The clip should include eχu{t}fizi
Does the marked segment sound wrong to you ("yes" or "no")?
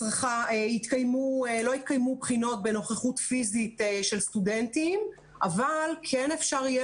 no